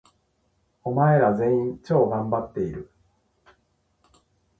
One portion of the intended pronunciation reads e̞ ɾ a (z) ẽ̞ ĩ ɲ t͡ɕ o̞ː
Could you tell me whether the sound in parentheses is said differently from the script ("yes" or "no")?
no